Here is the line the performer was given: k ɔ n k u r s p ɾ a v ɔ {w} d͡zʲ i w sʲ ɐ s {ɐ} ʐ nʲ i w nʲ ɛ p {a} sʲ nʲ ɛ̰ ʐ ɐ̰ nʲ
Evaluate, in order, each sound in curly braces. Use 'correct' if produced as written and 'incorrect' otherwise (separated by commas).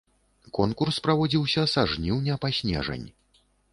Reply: incorrect, incorrect, correct